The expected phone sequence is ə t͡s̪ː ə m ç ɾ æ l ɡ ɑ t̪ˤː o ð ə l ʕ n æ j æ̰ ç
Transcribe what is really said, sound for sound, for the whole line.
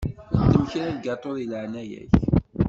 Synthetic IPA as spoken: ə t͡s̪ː ə m ç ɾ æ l ɡ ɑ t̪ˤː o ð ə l ʕ n æ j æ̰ ç

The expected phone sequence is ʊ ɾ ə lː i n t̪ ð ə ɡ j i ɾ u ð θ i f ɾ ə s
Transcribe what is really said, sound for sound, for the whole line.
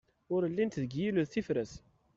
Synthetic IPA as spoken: ʊ ɾ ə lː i n t̪ ð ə ɡ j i l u ð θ i f ɾ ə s

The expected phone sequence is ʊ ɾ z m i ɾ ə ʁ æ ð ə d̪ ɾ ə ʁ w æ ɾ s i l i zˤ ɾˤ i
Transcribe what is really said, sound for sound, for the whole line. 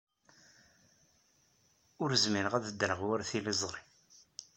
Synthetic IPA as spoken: ʊ ɾ z m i ɾ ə ʁ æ ð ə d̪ ɾ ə ʁ w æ ɾ θ i l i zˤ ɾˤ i

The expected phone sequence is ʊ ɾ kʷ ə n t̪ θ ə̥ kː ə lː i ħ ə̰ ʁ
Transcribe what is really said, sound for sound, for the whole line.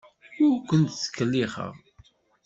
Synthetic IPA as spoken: ʊ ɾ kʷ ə n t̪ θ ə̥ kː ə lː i χ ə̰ ʁ

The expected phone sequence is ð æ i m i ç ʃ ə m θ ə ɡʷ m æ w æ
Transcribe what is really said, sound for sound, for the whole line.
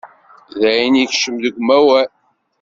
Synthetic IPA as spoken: ð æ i n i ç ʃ ə m ð ə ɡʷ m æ w æ

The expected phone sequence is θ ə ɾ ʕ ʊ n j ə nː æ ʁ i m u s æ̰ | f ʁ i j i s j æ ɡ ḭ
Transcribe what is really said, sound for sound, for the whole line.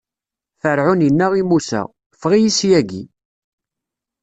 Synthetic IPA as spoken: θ ə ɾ ʕ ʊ n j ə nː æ ʁ i m u s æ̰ | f ʁ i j i s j æ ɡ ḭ

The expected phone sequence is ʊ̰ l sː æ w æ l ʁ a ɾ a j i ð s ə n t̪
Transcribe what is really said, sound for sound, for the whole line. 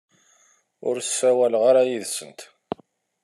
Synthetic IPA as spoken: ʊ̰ ɾ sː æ w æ l ʁ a ɾ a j i ð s ə n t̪

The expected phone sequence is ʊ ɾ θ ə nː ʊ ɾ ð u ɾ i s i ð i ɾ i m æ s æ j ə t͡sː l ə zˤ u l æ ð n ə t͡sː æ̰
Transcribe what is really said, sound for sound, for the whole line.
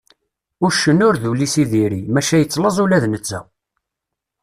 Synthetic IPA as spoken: ʊ ɾ ʃ ə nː ʊ ɾ ð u l i s i ð i ɾ i m æ ʃ æ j ə t͡sː l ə zˤ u l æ ð n ə t͡sː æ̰

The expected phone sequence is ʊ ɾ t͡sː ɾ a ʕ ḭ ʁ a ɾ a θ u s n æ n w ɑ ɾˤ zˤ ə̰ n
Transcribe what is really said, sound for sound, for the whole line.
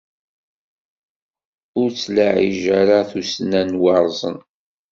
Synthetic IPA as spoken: ʊ ɾ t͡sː l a ʕ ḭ ʒ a ɾ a θ u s n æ n w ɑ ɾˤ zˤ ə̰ n

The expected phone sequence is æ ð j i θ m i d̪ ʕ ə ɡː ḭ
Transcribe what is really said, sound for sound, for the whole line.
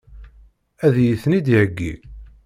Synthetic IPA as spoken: æ ð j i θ n i d̪ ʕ ə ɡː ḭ

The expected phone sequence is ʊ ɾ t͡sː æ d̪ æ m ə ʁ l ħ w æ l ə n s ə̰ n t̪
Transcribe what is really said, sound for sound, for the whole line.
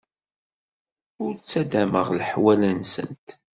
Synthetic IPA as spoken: ʊ ɾ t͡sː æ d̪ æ m ə ʁ l ħ w æ l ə n s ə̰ n t̪

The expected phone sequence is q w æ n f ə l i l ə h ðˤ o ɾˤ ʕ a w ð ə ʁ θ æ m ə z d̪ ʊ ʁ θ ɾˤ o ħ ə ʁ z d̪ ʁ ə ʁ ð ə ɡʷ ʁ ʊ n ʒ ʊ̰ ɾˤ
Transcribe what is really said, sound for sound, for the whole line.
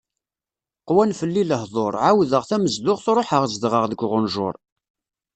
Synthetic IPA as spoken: q w æ n f ə lː i l ə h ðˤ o ɾˤ ʕ a w ð ə ʁ θ æ m ə z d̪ ʊ ʁ θ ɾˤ o ħ ə ʁ z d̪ ʁ ə ʁ ð ə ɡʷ ʁ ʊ n ʒ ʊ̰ ɾˤ

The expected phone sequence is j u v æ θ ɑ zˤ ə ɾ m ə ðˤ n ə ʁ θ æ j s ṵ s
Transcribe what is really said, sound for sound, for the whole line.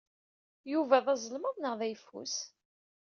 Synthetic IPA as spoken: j u v æ ð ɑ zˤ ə l m ə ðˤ n ə ʁ ð æ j f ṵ s

